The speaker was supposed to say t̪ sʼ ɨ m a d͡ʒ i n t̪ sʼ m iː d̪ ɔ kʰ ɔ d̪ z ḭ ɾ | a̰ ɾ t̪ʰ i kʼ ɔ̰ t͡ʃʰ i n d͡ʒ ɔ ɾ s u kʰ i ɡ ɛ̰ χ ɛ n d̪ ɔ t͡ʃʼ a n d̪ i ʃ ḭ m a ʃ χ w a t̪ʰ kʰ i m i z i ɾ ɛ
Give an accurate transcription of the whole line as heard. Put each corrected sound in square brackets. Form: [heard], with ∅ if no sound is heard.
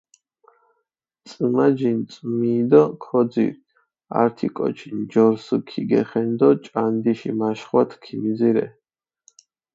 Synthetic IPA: t̪ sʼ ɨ m a d͡ʒ i n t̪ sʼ m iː d̪ ɔ kʰ ɔ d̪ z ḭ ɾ | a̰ ɾ t̪ʰ i kʼ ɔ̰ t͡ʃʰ i n d͡ʒ ɔ ɾ s u kʰ i ɡ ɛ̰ χ ɛ n d̪ ɔ t͡ʃʼ a n d̪ i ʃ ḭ m a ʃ χ w a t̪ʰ kʰ i m i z i ɾ ɛ